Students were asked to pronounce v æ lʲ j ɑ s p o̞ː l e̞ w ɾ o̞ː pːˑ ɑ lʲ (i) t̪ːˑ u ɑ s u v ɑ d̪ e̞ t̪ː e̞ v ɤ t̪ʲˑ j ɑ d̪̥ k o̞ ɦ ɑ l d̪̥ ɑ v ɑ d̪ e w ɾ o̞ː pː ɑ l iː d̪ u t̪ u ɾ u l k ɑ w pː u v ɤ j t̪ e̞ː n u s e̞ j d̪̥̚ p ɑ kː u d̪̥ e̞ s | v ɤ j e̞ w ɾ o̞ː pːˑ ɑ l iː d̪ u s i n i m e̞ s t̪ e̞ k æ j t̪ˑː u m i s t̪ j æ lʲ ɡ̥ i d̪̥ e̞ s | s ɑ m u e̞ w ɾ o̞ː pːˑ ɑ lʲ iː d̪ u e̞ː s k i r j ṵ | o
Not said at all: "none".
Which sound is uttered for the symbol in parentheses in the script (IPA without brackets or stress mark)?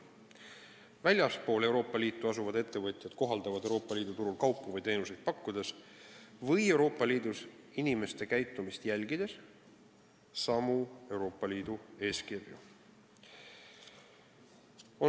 iː